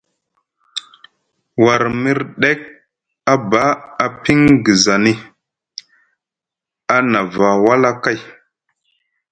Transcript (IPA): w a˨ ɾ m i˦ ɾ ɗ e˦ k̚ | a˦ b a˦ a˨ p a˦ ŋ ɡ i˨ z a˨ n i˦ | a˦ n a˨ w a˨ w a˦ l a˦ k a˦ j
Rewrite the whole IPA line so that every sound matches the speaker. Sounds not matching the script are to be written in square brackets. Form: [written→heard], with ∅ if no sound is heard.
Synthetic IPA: w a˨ ɾ m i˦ ɾ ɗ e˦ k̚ | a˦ b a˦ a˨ p [a˦→i˦] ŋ ɡ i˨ z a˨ n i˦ | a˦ n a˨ [w→v] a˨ w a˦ l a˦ k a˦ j